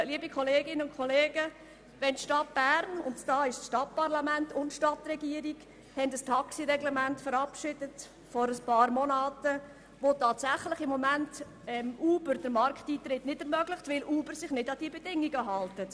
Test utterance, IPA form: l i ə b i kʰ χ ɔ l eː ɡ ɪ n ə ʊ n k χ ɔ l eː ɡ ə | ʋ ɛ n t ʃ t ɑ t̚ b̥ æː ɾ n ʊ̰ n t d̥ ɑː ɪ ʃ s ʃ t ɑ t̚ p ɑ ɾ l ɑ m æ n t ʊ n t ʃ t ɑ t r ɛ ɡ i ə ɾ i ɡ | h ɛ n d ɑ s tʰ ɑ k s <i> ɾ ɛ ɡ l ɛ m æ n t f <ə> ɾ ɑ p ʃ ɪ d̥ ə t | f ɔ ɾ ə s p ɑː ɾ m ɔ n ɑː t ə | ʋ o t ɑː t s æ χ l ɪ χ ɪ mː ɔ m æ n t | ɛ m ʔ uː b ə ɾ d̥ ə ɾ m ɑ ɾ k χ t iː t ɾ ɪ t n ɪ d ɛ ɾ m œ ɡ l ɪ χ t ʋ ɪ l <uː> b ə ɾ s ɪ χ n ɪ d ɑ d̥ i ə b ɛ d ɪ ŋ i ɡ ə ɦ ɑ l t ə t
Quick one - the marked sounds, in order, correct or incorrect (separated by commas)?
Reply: correct, correct, correct